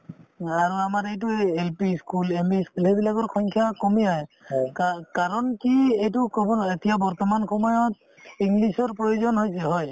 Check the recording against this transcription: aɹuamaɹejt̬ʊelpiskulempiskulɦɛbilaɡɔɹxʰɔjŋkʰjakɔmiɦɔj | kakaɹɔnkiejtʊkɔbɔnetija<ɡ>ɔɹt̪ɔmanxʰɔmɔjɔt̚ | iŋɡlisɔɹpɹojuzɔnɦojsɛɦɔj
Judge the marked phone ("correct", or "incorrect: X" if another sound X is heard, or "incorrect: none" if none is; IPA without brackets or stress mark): incorrect: b